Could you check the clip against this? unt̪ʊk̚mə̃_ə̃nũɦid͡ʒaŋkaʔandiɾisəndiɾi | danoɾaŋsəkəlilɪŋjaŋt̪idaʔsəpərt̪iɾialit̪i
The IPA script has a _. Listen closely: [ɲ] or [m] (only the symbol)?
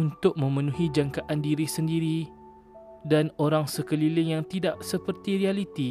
m